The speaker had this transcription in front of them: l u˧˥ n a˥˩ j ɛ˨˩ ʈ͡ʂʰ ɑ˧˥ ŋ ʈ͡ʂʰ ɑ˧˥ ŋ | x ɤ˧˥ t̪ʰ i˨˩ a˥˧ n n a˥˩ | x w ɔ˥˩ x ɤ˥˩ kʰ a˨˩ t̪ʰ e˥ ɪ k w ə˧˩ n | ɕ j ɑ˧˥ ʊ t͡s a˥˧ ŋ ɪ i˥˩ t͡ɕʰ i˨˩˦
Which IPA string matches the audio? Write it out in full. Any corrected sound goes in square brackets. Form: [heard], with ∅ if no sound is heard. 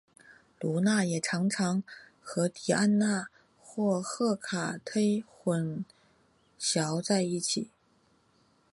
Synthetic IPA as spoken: l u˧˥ n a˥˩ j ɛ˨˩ ʈ͡ʂʰ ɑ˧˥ ŋ ʈ͡ʂʰ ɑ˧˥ ŋ | x ɤ˧˥ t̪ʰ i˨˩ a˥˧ n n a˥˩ | x w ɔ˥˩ x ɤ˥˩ kʰ a˨˩ t̪ʰ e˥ ɪ [x] w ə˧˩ n | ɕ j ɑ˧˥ ʊ t͡s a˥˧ [∅] ɪ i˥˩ t͡ɕʰ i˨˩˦